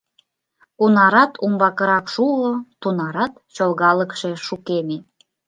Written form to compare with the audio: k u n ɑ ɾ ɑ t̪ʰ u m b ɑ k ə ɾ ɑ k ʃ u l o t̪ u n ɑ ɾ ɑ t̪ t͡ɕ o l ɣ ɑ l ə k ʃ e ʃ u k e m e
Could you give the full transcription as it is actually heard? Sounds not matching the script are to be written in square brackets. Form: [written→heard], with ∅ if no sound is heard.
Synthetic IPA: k u n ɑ ɾ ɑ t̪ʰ u m b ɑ k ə ɾ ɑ k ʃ u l o t̪ u n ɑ ɾ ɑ t̪ t͡ɕ o l ɣ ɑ l ə k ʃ e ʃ u k e m e